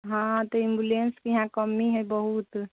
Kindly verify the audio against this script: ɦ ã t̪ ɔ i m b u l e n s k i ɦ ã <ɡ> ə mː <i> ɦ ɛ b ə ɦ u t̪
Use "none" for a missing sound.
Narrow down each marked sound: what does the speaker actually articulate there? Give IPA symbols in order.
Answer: k, i

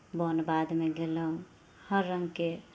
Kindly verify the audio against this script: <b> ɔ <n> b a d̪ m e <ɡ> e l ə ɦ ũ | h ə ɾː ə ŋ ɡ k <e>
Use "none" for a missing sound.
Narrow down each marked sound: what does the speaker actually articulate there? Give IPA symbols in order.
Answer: b, n, ɡ, e

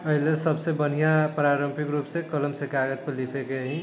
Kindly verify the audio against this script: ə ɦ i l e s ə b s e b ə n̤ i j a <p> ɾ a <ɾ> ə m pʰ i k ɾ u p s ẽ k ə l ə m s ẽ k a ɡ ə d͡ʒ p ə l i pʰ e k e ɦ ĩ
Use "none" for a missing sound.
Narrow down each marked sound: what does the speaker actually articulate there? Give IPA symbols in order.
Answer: p, ɾ

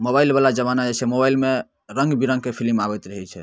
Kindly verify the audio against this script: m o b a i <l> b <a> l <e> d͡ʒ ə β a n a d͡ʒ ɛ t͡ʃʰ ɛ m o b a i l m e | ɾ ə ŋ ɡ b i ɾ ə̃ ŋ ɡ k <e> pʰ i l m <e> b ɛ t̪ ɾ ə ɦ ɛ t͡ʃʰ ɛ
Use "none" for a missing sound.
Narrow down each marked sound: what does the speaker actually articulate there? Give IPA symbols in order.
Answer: l, a, a, e, a

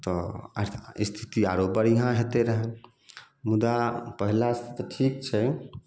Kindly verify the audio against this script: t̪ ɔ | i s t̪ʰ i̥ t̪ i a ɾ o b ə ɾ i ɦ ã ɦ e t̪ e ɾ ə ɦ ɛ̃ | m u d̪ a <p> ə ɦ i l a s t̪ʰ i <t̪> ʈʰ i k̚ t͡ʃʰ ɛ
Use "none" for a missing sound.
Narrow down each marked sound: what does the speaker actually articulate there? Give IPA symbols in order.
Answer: p, t̪

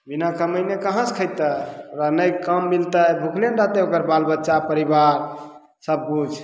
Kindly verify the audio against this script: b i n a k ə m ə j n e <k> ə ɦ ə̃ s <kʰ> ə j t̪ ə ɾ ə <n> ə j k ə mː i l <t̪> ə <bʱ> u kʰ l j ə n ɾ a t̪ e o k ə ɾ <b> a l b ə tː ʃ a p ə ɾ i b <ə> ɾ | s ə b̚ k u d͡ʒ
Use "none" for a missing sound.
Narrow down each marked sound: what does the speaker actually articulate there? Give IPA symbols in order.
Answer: k, kʰ, n, t̪, bʱ, b, a

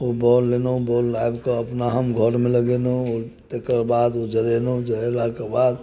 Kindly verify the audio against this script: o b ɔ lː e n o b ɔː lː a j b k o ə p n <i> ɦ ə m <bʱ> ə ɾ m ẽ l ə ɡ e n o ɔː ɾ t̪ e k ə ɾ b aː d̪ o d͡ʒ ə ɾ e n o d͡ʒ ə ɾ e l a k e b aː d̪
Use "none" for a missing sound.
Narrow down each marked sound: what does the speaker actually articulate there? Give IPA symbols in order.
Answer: a, ɡʱ

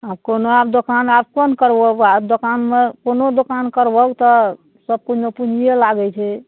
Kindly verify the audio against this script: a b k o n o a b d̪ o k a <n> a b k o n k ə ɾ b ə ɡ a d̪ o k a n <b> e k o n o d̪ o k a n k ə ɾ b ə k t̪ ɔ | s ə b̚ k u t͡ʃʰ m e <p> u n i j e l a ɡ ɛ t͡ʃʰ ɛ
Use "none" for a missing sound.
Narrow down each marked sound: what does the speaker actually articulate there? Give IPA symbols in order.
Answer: n, m, p

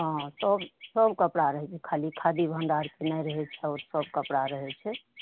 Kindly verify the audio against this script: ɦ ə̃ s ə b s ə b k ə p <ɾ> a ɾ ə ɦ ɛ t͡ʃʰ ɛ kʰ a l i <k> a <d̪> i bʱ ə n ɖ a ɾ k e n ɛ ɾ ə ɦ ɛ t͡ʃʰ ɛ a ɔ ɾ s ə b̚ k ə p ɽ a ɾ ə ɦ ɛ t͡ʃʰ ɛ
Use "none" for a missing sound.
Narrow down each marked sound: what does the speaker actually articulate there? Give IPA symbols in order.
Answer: ɽ, kʰ, d̪

